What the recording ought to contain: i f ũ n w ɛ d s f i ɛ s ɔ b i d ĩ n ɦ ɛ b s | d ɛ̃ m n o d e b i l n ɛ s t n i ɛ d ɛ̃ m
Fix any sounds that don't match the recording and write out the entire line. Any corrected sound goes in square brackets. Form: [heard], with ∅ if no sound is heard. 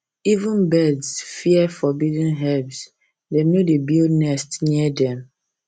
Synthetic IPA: i [v] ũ n [b] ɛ d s f i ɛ [f] ɔ b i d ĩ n ɦ ɛ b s | d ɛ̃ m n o d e b i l n ɛ s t n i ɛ d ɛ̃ m